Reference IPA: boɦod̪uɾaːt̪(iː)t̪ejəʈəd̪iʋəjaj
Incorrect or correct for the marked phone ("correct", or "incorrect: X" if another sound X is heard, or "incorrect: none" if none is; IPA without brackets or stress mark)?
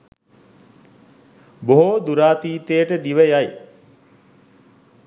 correct